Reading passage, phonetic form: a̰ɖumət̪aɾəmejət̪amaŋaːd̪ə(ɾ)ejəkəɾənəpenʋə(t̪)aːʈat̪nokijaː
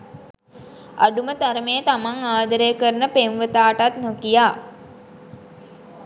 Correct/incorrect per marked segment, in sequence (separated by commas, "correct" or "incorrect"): correct, correct